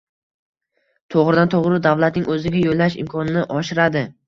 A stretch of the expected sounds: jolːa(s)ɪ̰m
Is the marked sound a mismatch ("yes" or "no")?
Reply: yes